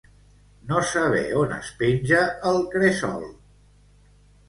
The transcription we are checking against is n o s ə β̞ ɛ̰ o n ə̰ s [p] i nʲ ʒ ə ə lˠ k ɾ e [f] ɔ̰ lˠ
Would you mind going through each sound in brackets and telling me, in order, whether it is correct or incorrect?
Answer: correct, incorrect: s

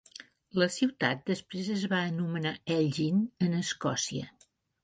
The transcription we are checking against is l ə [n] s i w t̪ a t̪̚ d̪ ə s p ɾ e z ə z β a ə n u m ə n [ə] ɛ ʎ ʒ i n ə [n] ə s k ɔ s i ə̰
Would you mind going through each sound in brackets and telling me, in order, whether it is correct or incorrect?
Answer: incorrect: none, incorrect: a, correct

